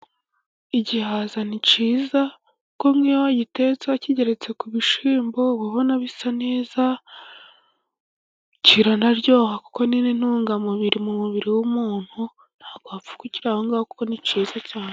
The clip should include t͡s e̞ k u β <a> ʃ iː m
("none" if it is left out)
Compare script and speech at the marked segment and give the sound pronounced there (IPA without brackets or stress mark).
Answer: i